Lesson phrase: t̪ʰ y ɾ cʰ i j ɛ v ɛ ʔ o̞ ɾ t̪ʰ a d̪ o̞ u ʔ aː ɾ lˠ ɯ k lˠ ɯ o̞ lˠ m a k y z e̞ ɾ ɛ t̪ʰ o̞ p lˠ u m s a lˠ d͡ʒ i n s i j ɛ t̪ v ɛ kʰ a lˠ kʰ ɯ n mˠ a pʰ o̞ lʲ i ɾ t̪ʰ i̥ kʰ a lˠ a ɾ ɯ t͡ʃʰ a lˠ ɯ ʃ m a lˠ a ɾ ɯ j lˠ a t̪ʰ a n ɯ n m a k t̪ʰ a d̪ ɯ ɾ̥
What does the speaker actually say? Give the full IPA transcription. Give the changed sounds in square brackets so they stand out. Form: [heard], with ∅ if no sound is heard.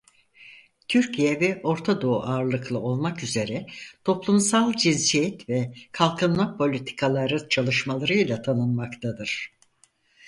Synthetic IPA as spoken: t̪ʰ y ɾ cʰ i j ɛ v ɛ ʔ o̞ ɾ t̪ʰ a d̪ o̞ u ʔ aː ɾ lˠ ɯ k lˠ ɯ o̞ lˠ m a k y z e̞ ɾ ɛ t̪ʰ o̞ p lˠ u m s a lˠ d͡ʒ i n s i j ɛ t̪ v ɛ kʰ a lˠ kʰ ɯ n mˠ a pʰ o̞ lʲ i [∅] t̪ʰ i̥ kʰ a lˠ a ɾ ɯ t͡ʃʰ a lˠ ɯ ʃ m a lˠ a ɾ ɯ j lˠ a t̪ʰ a n ɯ n m a k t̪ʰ a d̪ ɯ ɾ̥